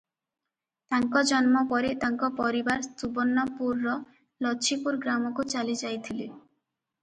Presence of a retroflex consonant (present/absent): absent